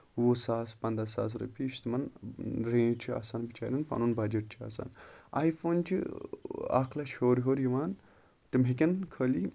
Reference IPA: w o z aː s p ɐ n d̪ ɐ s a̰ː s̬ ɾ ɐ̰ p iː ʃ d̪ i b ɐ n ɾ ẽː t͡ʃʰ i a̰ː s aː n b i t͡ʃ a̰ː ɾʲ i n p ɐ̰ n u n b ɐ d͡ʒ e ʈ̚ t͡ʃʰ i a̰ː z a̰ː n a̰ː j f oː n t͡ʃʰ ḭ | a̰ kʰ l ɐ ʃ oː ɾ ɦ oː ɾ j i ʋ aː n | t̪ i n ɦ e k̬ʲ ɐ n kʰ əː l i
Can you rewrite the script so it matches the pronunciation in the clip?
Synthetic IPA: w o s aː s p ɐ n d̪ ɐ s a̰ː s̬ ɾ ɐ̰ p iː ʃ t̪ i m ɐ n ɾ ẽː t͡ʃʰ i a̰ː s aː n b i t͡ʃ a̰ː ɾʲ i n p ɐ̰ n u n b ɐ d͡ʒ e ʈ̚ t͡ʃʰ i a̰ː s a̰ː n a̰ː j f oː n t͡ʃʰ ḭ | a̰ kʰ l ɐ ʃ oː ɾ ɦ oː ɾ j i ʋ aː n | t̪ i m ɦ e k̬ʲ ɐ n kʰ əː l i